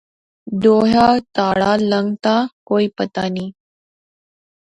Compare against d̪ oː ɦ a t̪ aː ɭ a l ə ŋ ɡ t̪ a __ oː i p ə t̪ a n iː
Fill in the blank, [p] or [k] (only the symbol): k